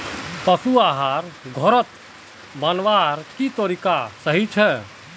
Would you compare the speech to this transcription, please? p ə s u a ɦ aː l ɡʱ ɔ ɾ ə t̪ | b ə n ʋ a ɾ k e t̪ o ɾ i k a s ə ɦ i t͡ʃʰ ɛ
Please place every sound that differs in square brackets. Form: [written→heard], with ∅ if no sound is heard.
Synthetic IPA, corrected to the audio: p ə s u a ɦ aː [l→ɾ] ɡʱ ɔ ɾ ə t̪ | b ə n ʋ a ɾ k [e→i] t̪ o ɾ i k a s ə ɦ i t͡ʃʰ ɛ